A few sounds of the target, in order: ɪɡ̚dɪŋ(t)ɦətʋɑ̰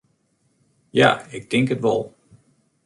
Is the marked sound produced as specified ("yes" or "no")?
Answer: no